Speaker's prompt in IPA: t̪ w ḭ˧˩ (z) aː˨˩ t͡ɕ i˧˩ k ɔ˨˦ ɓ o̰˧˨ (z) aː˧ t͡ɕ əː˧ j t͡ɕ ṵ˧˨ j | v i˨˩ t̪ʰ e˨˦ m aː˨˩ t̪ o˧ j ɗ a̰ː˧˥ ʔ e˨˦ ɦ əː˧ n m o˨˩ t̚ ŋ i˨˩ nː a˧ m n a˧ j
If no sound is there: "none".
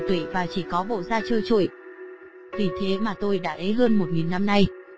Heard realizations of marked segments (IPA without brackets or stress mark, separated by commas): v, z